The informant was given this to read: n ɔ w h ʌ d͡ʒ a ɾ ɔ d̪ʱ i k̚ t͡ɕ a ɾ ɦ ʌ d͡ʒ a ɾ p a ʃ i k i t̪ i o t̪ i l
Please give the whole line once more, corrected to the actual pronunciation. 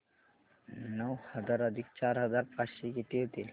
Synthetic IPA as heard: n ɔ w h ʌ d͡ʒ a ɾ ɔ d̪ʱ i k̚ t͡ɕ a ɾ ɦ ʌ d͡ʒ a ɾ p a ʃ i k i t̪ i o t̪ i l